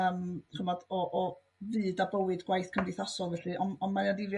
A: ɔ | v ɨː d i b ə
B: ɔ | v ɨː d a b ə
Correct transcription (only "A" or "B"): B